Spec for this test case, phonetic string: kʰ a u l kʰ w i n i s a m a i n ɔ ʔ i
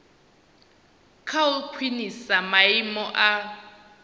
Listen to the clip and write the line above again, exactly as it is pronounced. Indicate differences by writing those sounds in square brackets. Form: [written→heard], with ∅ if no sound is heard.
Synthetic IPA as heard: kʰ a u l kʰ w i n i s a m a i [n→m] ɔ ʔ [i→a]